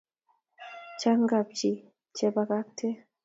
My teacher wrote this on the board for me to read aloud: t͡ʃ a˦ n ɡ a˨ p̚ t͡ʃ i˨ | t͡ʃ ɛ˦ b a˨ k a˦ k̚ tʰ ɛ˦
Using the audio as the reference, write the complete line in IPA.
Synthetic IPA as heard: t͡ʃ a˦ ŋ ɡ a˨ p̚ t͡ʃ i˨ | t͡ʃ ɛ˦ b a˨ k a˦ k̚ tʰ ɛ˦